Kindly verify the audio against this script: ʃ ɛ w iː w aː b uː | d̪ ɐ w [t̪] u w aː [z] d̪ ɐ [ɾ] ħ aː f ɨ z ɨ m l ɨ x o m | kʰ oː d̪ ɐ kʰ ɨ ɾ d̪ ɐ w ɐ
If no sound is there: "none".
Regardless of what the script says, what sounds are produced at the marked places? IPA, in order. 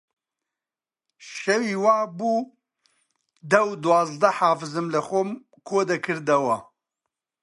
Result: d̪, z, none

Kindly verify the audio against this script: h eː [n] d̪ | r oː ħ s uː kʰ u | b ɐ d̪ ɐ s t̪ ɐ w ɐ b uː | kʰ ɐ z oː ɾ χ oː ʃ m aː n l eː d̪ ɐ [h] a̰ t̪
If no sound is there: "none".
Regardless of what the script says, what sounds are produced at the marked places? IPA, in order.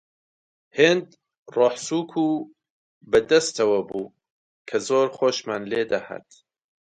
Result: n, h

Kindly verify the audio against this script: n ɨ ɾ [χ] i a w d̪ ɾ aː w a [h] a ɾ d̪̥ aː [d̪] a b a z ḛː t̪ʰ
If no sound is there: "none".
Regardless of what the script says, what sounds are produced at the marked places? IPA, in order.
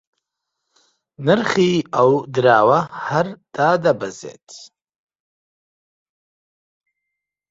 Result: χ, h, d̪

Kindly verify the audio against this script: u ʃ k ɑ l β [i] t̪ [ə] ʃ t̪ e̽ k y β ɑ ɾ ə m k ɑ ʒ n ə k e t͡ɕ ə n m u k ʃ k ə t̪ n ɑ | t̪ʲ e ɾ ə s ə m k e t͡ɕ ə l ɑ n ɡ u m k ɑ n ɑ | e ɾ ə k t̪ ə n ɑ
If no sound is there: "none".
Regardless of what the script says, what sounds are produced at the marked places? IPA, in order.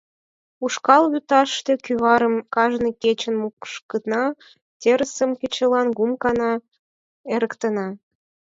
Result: y, ɑ

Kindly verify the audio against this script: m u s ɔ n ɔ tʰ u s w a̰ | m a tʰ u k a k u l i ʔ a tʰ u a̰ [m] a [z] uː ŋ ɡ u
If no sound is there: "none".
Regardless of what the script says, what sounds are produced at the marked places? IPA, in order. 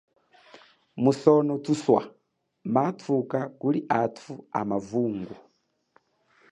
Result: m, v

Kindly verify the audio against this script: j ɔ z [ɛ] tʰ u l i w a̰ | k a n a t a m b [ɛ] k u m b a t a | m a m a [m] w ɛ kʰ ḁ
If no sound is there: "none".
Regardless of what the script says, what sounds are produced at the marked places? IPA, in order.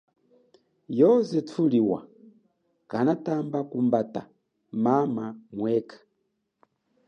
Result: ɛ, a, m

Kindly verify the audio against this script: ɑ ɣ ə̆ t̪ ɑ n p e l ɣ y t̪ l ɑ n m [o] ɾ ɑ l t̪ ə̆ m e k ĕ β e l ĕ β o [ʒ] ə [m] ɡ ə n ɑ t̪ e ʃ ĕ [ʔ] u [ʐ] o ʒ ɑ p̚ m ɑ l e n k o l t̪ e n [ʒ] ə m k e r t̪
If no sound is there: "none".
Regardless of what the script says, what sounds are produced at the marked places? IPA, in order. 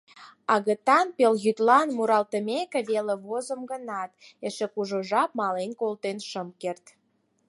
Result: u, z, m, k, ʒ, ʃ

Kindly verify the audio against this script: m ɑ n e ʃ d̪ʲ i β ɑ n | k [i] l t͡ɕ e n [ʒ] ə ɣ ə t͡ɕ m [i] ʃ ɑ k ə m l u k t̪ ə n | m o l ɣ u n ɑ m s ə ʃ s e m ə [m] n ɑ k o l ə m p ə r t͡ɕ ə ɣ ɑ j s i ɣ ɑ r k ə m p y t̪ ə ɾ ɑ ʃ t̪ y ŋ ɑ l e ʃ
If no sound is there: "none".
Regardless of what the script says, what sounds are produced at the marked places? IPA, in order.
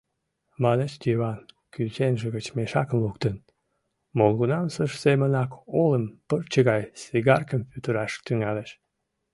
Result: y, ʒ, e, none

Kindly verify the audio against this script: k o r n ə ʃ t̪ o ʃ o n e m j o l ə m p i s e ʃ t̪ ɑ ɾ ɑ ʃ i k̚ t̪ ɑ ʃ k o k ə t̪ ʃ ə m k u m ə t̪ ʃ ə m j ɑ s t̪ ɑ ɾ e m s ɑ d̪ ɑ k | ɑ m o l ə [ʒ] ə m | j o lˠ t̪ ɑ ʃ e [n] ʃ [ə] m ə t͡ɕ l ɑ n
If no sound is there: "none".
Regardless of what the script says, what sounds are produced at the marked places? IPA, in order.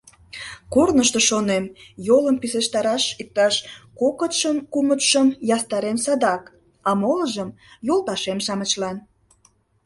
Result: ʒ, m, ɑ

